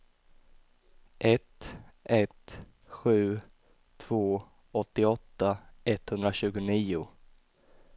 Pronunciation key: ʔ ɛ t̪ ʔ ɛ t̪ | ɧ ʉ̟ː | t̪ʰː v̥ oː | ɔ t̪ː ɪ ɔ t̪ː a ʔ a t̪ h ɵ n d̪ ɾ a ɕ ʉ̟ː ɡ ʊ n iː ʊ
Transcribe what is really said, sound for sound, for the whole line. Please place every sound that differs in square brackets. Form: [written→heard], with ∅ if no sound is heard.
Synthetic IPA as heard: ʔ ɛ t̪ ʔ ɛ t̪ | ɧ ʉ̟ː | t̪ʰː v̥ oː | ɔ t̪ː ɪ ɔ t̪ː a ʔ [a→ɛ] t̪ h ɵ n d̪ ɾ a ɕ ʉ̟ː ɡ ʊ n iː ʊ